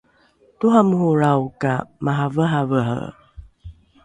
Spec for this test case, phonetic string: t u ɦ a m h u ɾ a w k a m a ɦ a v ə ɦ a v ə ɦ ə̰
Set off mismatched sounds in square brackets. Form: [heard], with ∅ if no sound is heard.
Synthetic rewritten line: t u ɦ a m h u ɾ a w k a m a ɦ a v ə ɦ a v ə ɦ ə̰